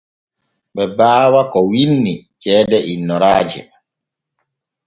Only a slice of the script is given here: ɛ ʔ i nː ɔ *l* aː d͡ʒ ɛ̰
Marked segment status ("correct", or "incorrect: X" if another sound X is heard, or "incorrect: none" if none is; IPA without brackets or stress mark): incorrect: ɾ